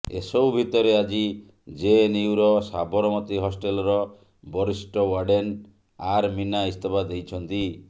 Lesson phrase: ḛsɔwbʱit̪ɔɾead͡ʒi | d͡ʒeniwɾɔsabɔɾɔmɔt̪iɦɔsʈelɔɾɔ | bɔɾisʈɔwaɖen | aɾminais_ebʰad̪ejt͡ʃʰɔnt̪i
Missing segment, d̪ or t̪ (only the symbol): t̪